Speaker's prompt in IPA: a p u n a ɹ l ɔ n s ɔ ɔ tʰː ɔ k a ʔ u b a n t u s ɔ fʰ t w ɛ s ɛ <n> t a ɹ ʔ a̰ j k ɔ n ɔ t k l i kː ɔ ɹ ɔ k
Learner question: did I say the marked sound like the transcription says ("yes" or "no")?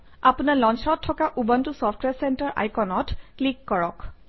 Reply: yes